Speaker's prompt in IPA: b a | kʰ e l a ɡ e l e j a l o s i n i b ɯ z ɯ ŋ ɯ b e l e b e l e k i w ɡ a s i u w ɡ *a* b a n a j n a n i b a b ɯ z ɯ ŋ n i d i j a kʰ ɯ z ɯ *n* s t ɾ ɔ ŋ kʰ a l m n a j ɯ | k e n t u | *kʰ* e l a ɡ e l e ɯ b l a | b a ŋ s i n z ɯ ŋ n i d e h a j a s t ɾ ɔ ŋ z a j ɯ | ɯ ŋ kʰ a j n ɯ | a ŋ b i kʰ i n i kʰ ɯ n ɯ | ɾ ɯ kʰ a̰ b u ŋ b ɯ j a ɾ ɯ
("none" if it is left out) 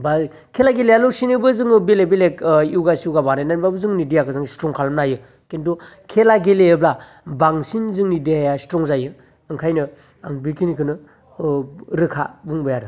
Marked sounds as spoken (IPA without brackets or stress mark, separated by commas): a, ŋ, kʰ